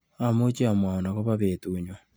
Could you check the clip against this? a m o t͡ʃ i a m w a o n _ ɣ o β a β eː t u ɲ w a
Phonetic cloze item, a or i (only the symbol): a